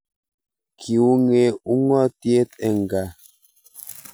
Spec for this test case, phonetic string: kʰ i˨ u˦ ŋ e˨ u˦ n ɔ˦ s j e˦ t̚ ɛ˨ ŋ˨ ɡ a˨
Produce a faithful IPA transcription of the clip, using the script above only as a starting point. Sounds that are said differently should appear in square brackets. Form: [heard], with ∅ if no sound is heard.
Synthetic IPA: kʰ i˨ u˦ ŋ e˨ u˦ [ŋ] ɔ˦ [t] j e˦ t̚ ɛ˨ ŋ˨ ɡ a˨